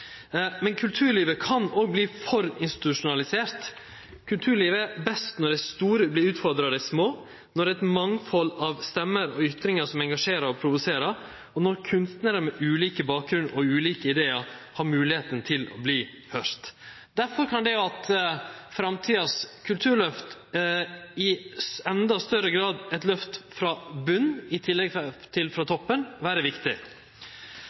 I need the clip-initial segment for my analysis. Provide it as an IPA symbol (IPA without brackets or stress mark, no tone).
m